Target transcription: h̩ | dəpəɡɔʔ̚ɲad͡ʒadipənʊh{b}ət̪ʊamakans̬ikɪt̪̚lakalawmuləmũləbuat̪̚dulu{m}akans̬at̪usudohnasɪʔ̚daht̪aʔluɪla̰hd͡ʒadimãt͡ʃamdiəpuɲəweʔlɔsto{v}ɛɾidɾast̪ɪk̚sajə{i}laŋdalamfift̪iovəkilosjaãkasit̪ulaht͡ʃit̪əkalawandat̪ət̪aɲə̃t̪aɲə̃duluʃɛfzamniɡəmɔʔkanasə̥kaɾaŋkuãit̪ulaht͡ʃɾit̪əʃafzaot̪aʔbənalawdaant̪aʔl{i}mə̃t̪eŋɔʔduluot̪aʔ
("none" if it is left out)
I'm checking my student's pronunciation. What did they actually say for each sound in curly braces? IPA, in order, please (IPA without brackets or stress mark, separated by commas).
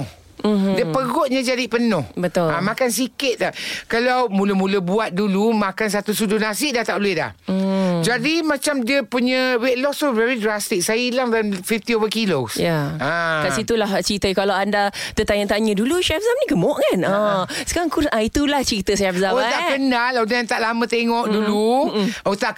b, m, v, i, a